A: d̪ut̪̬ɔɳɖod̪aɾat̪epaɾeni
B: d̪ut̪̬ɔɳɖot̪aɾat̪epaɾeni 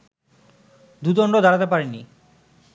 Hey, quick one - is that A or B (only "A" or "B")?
A